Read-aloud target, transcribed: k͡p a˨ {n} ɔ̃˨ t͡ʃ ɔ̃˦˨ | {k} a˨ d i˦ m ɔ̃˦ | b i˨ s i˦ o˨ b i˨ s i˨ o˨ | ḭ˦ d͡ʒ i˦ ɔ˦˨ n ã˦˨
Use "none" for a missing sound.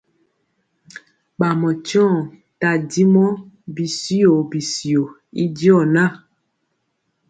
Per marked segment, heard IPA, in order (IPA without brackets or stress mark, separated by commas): m, t